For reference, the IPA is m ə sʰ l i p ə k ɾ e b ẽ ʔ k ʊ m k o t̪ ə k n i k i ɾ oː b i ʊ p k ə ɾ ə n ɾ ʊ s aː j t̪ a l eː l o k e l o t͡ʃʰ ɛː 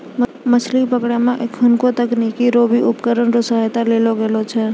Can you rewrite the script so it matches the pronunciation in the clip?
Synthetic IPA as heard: m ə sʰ l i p ə k ɽ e m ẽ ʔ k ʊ n k o t̪ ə k n i k i ɾ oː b i ʊ p k ə ɾ ə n ɾ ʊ s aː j t̪ a l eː l o ɡ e l o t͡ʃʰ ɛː